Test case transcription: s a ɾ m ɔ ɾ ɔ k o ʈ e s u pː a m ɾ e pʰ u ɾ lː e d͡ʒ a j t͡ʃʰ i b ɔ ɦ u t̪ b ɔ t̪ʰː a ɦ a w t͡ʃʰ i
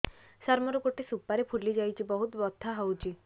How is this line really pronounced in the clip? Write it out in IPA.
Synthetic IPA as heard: s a ɾ m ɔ ɾ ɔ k o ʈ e s u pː a ɾ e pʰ u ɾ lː i d͡ʒ a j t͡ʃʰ i b ɔ ɦ u t̪ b ɔ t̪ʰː a ɦ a w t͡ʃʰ i